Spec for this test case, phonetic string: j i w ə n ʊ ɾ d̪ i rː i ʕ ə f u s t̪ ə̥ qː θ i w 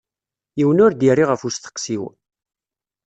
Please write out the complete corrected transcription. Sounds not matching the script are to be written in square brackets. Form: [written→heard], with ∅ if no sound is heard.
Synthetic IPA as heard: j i w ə n ʊ ɾ d̪ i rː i [ʕ→ʁ] ə f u s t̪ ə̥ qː [θ→s] i w